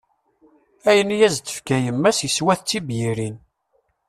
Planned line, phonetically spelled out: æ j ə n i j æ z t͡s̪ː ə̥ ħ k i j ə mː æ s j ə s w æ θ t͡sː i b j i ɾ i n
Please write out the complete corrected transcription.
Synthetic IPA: æ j ə n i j æ z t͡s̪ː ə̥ f k æ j ə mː æ s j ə s w æ θ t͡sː i b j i ɾ i n